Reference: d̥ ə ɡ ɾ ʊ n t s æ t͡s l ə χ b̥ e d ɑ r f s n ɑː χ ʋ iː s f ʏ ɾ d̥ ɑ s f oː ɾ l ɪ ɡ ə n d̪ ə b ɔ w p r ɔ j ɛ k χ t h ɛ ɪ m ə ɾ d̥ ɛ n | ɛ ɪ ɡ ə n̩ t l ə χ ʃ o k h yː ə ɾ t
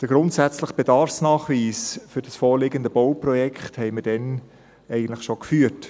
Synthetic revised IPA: d̥ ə ɡ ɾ ʊ n t s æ t͡s l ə χ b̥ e d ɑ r f s n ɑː χ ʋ iː s f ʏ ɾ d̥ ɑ s f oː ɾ l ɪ ɡ ə n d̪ ə b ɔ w p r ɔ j ɛ k χ t h ɛ ɪ m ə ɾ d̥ ɛ n | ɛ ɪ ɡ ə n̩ t l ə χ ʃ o k f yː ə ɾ t